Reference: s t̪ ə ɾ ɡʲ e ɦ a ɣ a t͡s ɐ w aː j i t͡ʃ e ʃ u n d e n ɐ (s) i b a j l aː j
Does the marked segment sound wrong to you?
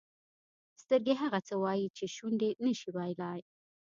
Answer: yes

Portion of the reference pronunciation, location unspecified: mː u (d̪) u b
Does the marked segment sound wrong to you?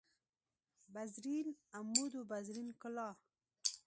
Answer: no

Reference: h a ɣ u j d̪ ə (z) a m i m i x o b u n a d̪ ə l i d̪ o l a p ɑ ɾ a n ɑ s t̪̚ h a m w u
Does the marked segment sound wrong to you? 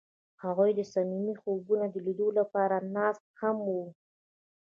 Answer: yes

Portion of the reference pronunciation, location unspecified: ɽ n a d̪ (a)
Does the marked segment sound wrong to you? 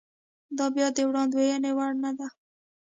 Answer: no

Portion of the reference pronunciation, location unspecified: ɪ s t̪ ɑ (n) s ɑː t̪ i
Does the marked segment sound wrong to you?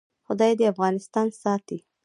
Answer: no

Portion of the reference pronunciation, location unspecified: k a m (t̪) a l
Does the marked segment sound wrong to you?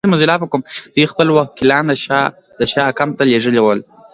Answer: no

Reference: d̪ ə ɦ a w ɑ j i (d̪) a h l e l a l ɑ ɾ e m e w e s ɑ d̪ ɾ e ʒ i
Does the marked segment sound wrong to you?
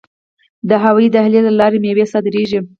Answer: no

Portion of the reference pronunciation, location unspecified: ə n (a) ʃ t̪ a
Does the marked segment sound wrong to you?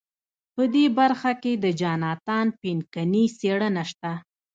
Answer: no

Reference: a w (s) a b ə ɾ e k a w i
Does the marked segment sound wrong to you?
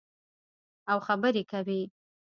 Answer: yes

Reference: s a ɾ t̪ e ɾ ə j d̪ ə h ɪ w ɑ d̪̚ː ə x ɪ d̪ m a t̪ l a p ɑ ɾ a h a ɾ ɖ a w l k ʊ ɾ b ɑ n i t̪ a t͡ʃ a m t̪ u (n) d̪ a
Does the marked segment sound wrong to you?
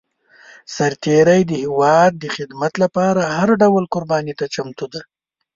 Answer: yes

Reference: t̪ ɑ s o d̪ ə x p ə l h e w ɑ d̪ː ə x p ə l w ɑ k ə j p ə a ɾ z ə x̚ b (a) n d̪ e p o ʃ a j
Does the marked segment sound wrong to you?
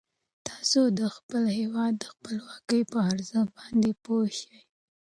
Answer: yes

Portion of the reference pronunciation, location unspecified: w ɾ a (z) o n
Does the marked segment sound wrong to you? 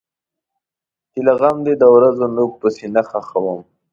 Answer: no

